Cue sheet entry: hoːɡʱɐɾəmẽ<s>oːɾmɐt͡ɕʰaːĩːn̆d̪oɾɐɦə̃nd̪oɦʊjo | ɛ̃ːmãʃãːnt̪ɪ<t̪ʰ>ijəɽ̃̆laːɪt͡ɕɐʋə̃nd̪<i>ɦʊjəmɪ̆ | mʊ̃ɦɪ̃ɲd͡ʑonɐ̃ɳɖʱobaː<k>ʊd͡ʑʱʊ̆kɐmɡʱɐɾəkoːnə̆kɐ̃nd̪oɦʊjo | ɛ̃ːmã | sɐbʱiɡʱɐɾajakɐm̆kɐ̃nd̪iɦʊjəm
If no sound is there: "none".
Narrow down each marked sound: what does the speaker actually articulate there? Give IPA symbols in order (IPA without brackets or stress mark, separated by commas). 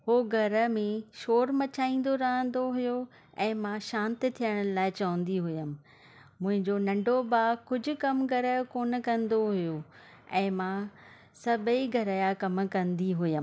ʃ, t̪ʰ, i, k